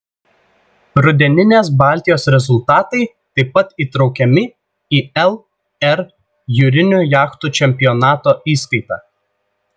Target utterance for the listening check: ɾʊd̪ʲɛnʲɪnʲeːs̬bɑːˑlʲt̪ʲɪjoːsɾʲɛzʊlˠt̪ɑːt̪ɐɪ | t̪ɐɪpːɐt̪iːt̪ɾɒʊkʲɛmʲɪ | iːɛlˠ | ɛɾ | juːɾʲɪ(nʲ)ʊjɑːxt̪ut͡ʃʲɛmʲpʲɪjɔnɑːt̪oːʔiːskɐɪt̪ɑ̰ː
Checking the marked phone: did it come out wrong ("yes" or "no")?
no